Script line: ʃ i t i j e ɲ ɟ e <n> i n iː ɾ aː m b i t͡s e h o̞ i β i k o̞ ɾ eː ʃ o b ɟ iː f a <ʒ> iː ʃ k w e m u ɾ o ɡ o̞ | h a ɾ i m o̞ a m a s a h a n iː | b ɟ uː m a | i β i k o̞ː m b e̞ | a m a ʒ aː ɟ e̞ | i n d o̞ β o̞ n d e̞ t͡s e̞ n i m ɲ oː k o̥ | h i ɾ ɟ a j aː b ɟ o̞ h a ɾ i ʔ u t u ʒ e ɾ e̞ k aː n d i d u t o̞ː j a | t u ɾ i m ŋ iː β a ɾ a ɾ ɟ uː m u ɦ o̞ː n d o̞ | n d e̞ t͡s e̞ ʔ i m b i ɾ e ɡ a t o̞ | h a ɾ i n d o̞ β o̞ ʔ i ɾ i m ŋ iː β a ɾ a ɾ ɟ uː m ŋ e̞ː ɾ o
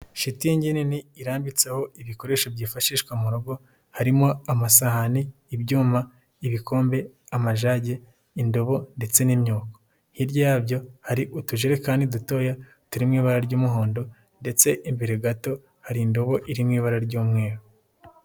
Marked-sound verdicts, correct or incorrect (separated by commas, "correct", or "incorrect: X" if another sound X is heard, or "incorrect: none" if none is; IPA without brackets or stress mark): correct, incorrect: ʃ